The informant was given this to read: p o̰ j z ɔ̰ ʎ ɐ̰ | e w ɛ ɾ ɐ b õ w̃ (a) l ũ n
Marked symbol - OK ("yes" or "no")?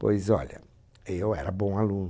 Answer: yes